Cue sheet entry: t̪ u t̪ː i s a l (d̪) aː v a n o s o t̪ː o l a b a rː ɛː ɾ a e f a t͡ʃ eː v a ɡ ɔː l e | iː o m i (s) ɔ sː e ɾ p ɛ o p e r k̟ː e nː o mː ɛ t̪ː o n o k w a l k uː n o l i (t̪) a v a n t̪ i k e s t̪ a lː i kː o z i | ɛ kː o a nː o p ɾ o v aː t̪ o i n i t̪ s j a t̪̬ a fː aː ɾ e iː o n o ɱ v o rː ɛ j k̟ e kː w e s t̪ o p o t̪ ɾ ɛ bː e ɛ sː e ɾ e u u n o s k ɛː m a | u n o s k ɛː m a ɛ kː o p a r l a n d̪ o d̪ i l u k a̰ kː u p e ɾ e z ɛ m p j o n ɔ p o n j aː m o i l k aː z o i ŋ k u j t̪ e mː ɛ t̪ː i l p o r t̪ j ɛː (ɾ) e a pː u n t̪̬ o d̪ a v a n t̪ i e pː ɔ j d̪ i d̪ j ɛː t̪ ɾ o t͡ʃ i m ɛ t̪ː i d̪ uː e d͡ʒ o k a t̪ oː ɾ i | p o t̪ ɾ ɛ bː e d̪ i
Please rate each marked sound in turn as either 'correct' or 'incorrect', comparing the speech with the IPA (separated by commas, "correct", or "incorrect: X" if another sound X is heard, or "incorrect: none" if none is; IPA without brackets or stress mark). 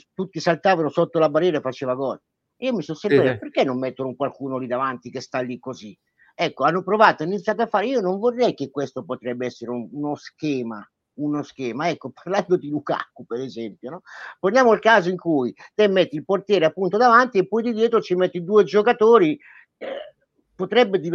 incorrect: t̪, correct, incorrect: d̪, correct